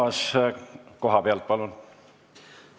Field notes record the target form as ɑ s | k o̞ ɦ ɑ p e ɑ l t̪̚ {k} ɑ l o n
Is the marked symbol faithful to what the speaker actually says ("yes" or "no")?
no